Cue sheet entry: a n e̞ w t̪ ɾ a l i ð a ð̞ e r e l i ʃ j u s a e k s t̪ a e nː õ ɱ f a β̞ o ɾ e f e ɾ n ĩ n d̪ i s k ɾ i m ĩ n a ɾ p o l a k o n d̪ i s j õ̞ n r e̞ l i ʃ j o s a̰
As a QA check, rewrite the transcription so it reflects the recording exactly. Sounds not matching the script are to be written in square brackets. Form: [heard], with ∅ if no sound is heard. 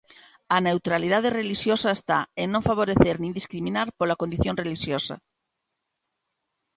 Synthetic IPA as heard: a n e̞ w t̪ ɾ a l i ð a ð̞ e r e l i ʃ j [o] s a e [∅] s t̪ a e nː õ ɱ f a β̞ o ɾ e [θ] e ɾ n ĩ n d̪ i s k ɾ i m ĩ n a ɾ p o l a k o n d̪ i [θ] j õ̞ n r e̞ l i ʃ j o s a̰